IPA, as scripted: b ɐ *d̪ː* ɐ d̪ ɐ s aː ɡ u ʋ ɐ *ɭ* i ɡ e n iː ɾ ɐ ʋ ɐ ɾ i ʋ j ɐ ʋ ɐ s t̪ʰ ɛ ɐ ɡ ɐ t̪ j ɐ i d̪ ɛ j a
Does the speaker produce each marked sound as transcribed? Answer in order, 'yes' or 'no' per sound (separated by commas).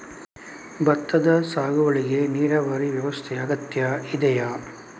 no, yes